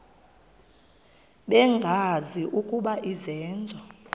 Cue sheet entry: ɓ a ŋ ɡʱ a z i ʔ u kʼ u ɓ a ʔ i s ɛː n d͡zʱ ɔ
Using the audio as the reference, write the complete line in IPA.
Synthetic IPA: ɓ ɛ ŋ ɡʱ a z i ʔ u kʼ u ɓ a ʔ i z ɛː n d͡zʱ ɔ